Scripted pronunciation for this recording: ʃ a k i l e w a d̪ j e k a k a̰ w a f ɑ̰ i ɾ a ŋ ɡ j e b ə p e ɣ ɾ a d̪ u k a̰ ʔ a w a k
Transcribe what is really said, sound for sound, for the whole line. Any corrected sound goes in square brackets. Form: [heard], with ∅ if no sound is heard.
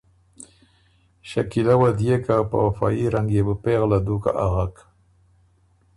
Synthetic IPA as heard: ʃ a k i l [a] w a d̪ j e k a [p] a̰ w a f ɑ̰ i ɾ a ŋ ɡ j e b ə p e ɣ [l] a d̪ u k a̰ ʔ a [ɣ] a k